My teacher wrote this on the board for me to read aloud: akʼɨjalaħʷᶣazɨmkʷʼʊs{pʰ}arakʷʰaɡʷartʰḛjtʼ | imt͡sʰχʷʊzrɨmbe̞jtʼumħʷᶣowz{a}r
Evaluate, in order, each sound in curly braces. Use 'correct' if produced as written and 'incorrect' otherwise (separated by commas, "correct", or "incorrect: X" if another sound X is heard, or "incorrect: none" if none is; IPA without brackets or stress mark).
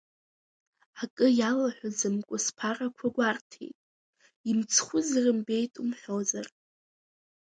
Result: correct, correct